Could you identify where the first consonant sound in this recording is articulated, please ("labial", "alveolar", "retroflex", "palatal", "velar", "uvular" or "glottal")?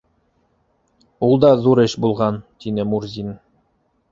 alveolar